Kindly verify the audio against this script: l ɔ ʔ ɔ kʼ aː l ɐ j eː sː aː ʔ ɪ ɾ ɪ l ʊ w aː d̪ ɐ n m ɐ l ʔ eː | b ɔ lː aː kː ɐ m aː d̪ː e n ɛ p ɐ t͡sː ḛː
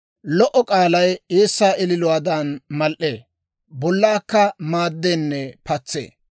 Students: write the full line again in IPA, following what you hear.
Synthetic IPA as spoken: l ɔ ʔ ɔ kʼ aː l ɐ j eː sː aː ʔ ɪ l ɪ l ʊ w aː d̪ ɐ n m ɐ l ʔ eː | b ɔ lː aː kː ɐ m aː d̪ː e nː ɛ p ɐ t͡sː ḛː